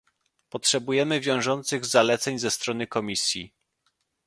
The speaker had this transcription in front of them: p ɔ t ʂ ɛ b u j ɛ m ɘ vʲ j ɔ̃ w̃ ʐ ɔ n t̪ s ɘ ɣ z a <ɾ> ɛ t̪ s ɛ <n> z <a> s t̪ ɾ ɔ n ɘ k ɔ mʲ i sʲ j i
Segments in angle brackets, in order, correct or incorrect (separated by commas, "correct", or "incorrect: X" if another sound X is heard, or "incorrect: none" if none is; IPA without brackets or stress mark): incorrect: l, incorrect: ɲ, incorrect: ɛ